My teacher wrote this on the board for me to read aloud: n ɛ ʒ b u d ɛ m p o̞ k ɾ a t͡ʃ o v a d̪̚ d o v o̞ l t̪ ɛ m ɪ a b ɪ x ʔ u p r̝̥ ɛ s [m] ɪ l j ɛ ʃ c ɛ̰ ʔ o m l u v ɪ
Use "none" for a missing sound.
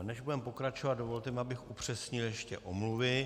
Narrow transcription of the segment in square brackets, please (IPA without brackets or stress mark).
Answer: ɲ